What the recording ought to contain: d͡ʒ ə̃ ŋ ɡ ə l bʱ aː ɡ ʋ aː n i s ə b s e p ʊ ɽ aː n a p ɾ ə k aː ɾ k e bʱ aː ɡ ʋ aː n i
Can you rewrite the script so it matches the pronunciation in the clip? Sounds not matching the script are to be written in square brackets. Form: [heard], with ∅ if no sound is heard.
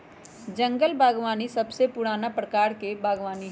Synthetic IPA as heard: d͡ʒ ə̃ ŋ ɡ ə l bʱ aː ɡ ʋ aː n i s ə b s e p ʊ ɽ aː n a p ɾ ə k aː ɾ k e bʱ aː ɡ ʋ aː n i